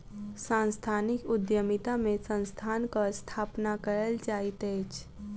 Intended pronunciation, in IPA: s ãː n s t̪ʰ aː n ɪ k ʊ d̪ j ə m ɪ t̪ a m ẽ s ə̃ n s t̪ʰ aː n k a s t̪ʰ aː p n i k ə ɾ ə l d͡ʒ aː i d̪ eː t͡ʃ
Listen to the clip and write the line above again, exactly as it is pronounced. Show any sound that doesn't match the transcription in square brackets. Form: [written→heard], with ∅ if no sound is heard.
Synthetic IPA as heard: s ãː n s t̪ʰ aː n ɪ k ʊ d̪ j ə m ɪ t̪ a m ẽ s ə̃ n s t̪ʰ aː n k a s t̪ʰ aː p n [i→a] k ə ɾ ə l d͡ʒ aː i [d̪→t̪] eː t͡ʃ